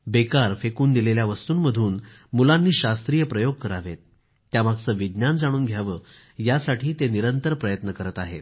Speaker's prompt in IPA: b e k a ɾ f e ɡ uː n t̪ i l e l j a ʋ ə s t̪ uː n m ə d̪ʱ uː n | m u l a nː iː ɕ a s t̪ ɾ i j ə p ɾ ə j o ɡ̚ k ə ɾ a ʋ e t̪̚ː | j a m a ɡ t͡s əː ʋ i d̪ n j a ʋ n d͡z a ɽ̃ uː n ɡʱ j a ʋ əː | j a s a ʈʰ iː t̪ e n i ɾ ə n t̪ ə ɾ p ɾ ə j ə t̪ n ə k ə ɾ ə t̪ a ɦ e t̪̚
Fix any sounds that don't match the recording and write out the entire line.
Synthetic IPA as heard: b e k a ɾ f e k uː n d̪ i l e l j a ʋ ə s t̪ uː n m ə d̪ʱ uː n | m u l a nː iː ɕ a s t̪ ɾ i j ə p ɾ ə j o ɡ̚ k ə ɾ a ʋ e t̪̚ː | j a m a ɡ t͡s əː ʋ i d̪ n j a n d͡z a ɽ̃ uː n ɡʱ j a ʋ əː | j a s a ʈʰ iː t̪ e n i ɾ ə n t̪ ə ɾ p ɾ ə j ə t̪ n ə k ə ɾ ə t̪ a ɦ e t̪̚